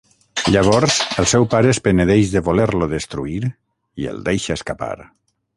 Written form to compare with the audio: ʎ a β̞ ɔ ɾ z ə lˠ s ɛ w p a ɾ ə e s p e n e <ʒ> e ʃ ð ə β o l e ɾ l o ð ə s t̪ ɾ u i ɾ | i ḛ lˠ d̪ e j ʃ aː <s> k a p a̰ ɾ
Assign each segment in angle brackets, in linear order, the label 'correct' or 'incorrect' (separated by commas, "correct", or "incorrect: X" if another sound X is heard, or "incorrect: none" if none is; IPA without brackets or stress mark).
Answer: incorrect: ð, correct